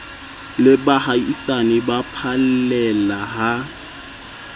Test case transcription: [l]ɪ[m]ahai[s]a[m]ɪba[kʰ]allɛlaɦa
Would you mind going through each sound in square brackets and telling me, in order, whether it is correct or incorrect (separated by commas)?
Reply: correct, incorrect, correct, incorrect, incorrect